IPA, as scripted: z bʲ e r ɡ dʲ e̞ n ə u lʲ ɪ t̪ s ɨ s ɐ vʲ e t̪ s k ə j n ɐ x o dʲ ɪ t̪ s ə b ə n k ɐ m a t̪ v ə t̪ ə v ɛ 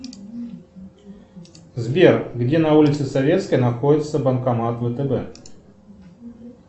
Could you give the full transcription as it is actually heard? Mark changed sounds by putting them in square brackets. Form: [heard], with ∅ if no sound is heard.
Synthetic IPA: z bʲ e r ɡ dʲ e̞ n [ɐ] u lʲ ɪ t̪ s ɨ s ɐ vʲ e t̪ s k ə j n ɐ x o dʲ ɪ t̪ s ə b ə n k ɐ m a t̪ v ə t̪ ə [b] ɛ